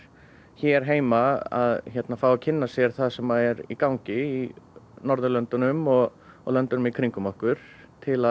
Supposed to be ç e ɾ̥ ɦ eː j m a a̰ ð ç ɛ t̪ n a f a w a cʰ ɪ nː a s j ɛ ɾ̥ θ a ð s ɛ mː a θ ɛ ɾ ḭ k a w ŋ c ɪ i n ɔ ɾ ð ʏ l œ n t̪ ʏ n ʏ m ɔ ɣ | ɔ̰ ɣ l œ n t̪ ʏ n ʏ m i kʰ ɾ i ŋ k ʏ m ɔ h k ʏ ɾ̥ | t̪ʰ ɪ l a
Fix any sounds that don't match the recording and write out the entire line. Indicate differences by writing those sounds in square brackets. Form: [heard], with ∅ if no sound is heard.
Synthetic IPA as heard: ç [ɛ] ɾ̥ ɦ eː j m a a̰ ð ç ɛ t̪ n a f a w a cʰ ɪ nː a s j ɛ ɾ̥ θ a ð s ɛ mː a [ð] ɛ ɾ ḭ k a w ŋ c ɪ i n ɔ ɾ ð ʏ l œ n t̪ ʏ n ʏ m ɔ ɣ | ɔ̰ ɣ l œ n t̪ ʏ n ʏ m i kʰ ɾ i ŋ k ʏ m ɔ h k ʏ ɾ̥ | t̪ʰ ɪ l a